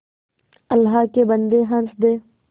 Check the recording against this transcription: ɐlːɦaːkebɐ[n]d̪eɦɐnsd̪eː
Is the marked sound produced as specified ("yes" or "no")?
yes